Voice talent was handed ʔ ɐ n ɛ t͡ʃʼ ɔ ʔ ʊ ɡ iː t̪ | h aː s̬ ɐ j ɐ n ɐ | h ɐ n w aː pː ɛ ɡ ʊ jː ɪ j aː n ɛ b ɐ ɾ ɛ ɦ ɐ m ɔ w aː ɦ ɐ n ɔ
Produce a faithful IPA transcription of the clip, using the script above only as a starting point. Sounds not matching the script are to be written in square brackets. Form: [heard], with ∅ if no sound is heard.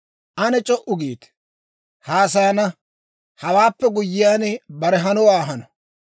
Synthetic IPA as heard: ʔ ɐ n ɛ t͡ʃʼ ɔ ʔ ʊ ɡ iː t̪ | h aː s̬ ɐ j ɐ n ɐ | h ɐ [∅] w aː pː ɛ ɡ ʊ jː ɪ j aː n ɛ b ɐ ɾ ɛ ɦ ɐ [n] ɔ w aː ɦ ɐ n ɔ